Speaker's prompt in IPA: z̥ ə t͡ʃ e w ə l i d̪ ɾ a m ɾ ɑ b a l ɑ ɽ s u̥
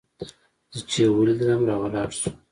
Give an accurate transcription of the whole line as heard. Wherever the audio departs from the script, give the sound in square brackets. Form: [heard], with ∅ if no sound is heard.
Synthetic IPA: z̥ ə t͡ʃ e w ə l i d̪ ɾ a m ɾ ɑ [w] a l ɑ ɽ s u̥

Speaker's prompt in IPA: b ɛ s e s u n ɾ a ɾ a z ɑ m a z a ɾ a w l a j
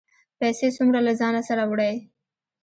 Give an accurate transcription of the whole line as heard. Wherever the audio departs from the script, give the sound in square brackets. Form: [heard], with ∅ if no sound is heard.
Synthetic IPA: [p] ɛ s e s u [m] ɾ a [l] a z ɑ [n] a [s] a ɾ a w [ɽ] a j

